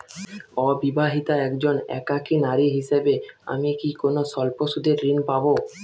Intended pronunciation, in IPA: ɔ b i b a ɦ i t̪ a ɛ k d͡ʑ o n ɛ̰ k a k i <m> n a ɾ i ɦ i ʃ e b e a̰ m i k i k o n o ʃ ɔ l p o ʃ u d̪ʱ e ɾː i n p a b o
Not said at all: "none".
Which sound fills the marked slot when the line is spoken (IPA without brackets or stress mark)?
none